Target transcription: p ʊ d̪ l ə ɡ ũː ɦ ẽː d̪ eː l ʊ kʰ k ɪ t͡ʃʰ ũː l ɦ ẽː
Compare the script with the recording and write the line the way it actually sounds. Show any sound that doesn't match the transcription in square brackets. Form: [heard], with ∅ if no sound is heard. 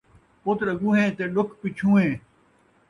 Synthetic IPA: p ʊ [t̪] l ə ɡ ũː ɦ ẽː [t̪] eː l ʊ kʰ [p] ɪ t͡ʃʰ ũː [∅] ɦ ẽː